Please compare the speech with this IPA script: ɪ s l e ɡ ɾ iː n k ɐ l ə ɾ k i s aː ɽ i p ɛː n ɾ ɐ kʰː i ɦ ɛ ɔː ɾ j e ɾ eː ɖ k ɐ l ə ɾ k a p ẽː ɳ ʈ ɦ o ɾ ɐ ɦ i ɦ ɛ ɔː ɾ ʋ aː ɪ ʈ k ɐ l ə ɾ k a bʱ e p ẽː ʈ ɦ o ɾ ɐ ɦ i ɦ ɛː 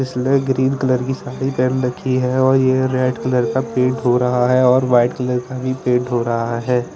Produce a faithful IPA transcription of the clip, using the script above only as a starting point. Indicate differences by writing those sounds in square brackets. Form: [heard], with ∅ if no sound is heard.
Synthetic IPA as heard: ɪ s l e ɡ ɾ iː n k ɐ l ə ɾ k i s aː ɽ i p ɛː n ɾ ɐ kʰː i ɦ ɛ ɔː ɾ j e ɾ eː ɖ k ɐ l ə ɾ k a p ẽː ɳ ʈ ɦ o ɾ ɐ ɦ [a] ɦ ɛ ɔː ɾ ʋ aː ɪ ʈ k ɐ l ə ɾ k a bʱ [i] p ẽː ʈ ɦ o ɾ ɐ ɦ [a] ɦ ɛː